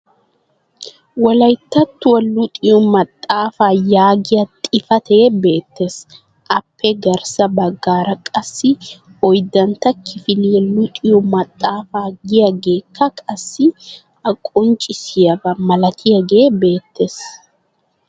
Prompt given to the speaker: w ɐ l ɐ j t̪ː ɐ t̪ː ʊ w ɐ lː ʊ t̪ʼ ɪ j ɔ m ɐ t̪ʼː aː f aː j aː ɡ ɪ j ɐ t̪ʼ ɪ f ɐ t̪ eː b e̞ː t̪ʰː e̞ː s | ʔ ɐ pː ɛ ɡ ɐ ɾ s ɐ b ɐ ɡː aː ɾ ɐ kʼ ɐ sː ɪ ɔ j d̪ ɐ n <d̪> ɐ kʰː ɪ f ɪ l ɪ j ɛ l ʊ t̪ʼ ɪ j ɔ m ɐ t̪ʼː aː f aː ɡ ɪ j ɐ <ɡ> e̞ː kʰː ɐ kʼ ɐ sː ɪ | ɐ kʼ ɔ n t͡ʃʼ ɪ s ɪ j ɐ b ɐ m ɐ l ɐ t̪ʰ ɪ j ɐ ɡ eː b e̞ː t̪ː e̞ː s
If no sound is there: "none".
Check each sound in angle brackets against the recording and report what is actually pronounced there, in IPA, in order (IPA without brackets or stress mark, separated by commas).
t̪, ɡ